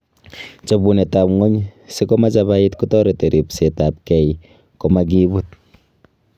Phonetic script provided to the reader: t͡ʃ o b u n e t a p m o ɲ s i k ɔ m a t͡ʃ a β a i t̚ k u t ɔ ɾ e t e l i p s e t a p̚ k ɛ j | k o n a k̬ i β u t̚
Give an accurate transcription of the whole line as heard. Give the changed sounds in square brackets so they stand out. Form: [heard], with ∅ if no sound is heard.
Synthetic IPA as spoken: t͡ʃ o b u n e t a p [ŋ] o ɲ s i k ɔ m a t͡ʃ a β a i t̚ k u t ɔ ɾ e t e [ɾ] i p s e t a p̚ k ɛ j | k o [m] a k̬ i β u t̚

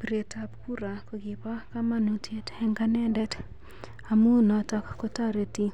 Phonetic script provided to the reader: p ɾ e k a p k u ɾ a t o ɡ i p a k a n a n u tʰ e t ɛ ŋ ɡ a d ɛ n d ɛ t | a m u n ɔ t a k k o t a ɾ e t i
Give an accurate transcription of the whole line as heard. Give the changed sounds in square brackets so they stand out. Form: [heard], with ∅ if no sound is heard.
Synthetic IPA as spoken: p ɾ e [t] a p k u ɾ a [k] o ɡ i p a k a [m] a n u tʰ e t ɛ ŋ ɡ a [n] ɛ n d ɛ t | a m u n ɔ t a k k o t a ɾ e t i

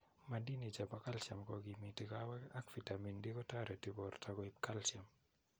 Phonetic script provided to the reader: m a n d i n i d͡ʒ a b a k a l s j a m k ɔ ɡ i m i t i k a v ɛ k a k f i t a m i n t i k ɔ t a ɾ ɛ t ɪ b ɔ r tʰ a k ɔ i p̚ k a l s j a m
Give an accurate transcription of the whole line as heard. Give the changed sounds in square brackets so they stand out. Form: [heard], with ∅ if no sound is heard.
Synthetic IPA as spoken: m a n d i n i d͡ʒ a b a k a l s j a m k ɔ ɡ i m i t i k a [w] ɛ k a k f i t a m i n [d] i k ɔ t a ɾ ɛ t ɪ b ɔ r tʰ a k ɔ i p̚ k a l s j a m

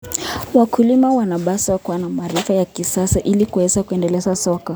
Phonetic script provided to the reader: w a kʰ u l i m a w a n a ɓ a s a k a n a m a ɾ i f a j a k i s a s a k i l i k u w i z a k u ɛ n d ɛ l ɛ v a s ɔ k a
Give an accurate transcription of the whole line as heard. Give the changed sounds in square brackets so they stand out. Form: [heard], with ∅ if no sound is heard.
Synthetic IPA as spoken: w a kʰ u l i m a w a n a ɓ a s a k a n a m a ɾ i f a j a k i s a s a [ʔ] i l i k u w [ɛ] z a k u ɛ n d ɛ l ɛ [z] a s ɔ k a

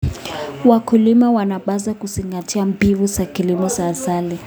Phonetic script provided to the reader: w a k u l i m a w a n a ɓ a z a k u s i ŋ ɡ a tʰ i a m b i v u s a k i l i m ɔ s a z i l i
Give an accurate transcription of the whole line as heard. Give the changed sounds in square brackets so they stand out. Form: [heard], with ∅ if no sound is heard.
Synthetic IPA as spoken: w a k u l i m a w a n a ɓ a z a k u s i ŋ ɡ a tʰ i a m b i v u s a k i l i m ɔ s a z [a] l i

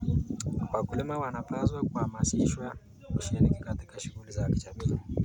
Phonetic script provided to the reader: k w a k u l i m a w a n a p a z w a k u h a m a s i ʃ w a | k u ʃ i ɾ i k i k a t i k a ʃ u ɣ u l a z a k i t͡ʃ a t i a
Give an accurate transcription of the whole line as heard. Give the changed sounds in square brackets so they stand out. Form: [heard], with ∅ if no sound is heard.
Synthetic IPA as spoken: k w a k u l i m a w a n a p a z w a k u h a m a s i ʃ w a | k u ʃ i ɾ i k i k a t i k a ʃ u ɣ u l [i] z a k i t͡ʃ a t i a

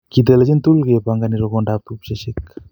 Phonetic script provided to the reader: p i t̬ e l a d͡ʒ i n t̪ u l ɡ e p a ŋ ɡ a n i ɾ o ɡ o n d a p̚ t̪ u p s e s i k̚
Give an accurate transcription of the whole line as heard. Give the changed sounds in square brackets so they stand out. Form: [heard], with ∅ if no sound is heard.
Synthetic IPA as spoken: [k] i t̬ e l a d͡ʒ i n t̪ u l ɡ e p a ŋ ɡ a n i ɾ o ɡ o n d a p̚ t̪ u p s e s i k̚

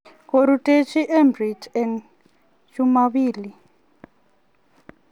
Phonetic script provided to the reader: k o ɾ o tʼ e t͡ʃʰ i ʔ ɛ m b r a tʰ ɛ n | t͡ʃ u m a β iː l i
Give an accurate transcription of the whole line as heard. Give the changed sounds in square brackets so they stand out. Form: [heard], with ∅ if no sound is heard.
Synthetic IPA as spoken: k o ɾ [u] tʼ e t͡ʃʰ i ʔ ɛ m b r [i] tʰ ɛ n | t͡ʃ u m a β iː l i

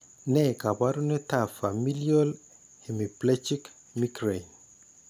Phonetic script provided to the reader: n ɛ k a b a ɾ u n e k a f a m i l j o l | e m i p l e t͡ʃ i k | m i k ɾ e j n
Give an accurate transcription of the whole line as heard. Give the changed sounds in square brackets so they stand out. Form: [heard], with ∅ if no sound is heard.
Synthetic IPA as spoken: n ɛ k a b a ɾ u n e [t] a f a m i l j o l | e m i p l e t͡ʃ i k | m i k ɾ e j n

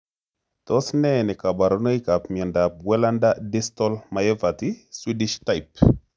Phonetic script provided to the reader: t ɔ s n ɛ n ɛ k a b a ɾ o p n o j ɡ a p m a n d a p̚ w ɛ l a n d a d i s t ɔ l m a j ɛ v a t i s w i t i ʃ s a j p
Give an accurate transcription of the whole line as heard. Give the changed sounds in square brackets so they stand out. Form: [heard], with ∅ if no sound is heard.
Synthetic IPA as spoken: t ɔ s n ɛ n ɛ k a b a ɾ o [∅] n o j [k] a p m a n d a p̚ w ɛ l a n d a d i s t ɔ l m a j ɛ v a t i s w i [d] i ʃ [t] a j p

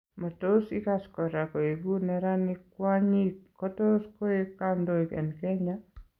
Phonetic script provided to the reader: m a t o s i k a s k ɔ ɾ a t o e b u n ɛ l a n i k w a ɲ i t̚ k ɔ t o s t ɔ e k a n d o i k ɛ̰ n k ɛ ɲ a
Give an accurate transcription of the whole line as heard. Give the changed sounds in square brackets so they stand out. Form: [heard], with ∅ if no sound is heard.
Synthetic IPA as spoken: m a t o s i k a s k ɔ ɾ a [k] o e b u n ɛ [ɾ] a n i k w a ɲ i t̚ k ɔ t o s [k] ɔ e k a n d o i k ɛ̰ n k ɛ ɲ a

